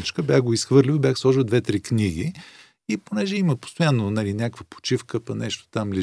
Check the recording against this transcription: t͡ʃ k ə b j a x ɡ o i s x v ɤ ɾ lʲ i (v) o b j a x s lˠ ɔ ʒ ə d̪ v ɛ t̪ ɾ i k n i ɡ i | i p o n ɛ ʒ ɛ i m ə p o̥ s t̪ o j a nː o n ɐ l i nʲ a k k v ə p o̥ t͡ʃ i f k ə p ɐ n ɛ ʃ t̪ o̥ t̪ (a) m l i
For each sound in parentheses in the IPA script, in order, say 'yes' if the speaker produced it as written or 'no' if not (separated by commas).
yes, yes